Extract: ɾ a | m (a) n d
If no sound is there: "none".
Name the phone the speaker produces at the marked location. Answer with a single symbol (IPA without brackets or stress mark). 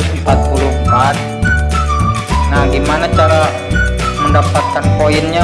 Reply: ə